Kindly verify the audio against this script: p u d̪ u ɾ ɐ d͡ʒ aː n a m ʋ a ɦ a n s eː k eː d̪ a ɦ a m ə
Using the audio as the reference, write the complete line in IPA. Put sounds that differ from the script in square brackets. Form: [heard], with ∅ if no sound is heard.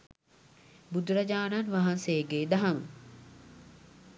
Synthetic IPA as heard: [b] u d̪ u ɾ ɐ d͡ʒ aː n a [n] ʋ a ɦ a n s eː [ɡ] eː d̪ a ɦ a m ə